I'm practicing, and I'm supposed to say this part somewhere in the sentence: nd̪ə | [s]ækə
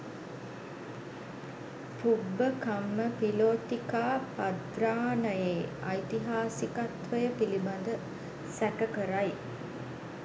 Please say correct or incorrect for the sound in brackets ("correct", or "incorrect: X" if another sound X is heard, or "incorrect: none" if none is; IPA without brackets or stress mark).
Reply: correct